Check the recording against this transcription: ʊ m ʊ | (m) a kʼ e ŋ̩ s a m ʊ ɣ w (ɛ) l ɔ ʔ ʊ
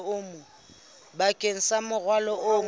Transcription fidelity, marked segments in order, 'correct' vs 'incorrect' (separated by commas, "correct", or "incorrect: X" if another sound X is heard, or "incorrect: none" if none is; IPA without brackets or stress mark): incorrect: b, incorrect: a